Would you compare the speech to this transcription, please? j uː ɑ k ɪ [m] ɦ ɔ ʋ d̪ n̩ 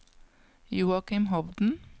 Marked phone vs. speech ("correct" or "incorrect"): correct